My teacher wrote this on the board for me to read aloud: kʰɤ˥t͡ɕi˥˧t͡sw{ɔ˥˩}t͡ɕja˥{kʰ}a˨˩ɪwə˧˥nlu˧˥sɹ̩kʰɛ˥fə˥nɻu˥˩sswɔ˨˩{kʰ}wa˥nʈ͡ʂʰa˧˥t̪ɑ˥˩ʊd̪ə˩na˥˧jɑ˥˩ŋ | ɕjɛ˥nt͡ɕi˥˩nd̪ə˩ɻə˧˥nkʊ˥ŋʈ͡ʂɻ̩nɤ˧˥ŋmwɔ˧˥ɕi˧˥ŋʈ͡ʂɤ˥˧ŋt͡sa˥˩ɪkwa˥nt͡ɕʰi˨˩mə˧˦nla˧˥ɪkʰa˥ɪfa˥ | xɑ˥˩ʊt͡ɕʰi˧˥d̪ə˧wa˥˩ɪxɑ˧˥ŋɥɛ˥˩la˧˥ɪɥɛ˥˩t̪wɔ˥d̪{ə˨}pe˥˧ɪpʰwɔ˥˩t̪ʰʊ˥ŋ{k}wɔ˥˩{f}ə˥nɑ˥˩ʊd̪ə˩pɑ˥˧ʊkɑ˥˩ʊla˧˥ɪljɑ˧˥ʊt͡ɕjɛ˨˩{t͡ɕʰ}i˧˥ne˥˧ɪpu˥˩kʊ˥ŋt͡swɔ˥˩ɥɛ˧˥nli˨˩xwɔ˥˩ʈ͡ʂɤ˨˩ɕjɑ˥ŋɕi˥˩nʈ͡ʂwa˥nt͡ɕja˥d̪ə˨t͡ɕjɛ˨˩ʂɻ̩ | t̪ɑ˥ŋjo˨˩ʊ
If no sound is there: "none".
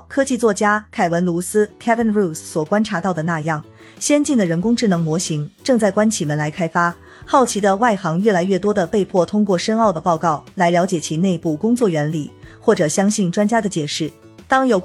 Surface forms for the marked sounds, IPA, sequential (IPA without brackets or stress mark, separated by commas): ɔ˥˩, kʰ, k, ə˨, k, ʂ, t͡ɕʰ